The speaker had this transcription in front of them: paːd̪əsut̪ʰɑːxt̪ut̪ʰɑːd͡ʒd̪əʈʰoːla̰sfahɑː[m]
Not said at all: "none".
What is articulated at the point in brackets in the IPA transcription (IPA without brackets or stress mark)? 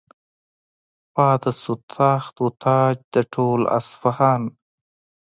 n